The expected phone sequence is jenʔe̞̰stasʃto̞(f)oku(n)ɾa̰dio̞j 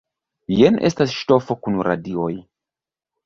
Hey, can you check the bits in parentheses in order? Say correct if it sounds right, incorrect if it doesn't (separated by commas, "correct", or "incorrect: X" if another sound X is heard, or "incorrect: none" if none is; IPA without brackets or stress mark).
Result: correct, correct